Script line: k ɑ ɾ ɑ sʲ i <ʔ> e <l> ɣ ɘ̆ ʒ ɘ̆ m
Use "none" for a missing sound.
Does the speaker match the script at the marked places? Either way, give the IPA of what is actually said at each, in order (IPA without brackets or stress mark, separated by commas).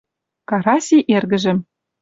ʔ, r